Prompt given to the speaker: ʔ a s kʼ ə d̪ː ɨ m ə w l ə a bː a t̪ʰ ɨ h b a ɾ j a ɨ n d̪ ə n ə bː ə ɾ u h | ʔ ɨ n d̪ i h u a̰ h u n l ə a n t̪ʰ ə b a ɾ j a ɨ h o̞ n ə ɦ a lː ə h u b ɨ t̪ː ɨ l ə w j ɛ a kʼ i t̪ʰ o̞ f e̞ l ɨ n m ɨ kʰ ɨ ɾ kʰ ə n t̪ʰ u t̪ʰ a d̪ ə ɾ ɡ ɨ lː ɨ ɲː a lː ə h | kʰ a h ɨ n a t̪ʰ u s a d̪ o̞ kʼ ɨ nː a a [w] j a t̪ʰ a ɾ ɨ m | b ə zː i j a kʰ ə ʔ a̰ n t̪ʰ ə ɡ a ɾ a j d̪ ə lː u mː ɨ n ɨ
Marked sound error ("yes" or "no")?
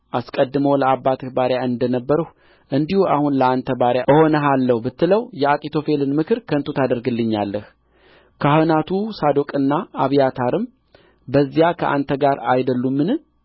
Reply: yes